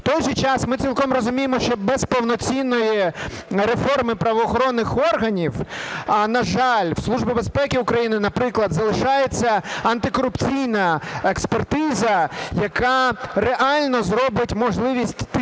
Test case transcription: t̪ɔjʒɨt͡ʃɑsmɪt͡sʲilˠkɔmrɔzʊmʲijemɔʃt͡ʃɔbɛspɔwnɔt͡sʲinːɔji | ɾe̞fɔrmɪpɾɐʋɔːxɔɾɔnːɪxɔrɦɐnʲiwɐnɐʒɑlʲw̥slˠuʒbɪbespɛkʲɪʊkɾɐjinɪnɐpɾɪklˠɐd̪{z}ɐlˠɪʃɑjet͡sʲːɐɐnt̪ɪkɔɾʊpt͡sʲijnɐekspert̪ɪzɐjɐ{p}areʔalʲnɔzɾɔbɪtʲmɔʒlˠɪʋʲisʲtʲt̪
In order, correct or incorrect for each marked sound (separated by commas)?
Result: correct, incorrect